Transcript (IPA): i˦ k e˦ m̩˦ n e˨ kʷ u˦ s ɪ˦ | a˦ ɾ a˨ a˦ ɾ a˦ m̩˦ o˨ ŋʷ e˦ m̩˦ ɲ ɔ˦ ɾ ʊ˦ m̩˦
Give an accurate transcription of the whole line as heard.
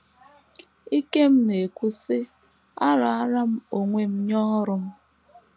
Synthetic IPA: i˦ k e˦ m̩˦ n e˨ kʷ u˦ s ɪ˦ | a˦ ɾ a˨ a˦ ɾ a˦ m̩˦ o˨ ŋʷ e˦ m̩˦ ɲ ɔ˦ ɾ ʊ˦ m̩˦